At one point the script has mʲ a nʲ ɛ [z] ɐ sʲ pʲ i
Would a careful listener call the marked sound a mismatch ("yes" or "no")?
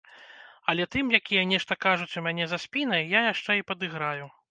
no